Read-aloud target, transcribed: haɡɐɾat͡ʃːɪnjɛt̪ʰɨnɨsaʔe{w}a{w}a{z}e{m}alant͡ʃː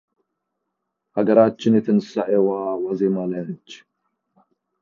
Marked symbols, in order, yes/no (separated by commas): yes, yes, yes, yes